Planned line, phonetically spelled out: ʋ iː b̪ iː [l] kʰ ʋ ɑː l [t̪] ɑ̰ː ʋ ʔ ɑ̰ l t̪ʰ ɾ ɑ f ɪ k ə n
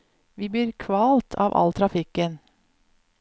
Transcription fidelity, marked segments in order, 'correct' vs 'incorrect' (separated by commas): incorrect, incorrect